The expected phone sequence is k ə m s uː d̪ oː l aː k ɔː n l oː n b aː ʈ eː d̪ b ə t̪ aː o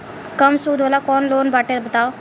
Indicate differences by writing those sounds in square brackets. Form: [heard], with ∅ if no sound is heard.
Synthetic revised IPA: k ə m s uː d̪ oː l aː k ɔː n l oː n b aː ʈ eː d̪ b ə t̪ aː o